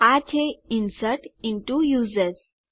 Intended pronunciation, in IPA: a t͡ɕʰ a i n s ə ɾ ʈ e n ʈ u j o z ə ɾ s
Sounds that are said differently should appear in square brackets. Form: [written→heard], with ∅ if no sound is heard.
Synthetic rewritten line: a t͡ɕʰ [a→e] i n s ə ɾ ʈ [e→i] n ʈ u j [o→u] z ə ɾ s